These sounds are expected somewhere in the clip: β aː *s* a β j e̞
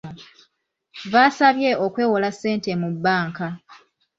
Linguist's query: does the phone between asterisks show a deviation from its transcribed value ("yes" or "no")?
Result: no